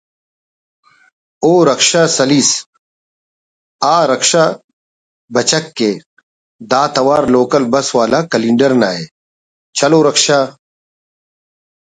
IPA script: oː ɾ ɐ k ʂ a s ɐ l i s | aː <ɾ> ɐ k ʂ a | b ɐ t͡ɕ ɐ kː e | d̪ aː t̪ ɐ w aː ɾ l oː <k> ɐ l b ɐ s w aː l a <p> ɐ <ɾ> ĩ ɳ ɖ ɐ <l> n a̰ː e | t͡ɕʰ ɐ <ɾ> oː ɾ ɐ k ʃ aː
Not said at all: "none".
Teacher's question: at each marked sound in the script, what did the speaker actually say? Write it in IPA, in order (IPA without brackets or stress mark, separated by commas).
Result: ɾ, k, k, l, ɾ, l